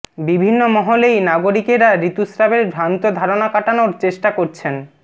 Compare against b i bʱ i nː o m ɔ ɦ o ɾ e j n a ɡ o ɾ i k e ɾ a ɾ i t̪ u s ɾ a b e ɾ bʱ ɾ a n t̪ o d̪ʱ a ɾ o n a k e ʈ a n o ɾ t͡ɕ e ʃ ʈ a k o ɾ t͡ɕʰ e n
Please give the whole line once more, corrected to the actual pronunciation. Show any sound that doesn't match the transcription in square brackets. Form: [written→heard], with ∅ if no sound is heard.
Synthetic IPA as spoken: b i bʱ i nː o m ɔ ɦ o [ɾ→l] e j n a ɡ o ɾ i k e ɾ a ɾ i t̪ u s ɾ a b e ɾ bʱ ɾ a n t̪ o d̪ʱ a ɾ o n a k [e→a] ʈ a n o ɾ t͡ɕ e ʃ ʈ a k o ɾ t͡ɕʰ e n